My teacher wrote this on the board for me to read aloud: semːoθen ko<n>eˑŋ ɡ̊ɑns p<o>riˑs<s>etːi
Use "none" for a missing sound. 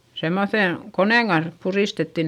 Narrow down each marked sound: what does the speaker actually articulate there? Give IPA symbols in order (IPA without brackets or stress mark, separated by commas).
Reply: n, u, t